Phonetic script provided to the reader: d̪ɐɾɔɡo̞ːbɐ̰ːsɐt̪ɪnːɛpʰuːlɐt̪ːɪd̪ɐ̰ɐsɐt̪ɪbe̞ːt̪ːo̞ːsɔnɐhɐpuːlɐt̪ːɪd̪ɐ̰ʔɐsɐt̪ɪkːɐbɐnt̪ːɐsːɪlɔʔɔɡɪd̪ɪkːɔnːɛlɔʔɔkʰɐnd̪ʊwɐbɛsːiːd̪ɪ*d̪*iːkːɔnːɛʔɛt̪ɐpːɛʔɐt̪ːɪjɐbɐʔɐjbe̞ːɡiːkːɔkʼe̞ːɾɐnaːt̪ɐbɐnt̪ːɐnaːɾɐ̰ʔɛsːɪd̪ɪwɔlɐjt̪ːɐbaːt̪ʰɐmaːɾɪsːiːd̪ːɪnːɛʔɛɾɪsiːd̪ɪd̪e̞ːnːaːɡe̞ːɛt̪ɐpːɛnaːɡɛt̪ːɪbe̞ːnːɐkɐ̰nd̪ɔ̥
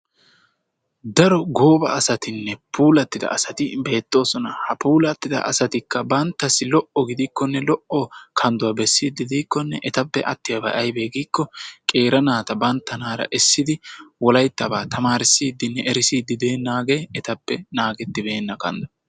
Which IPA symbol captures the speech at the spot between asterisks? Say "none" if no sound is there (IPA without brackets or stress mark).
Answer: d̪